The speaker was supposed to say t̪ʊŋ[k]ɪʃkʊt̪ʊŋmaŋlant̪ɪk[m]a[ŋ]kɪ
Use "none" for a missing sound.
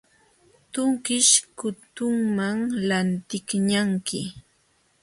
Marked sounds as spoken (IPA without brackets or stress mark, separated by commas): k, ɲ, ŋ